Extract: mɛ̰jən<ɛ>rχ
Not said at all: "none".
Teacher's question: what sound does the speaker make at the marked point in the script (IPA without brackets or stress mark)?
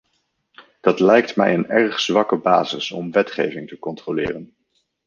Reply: ɛ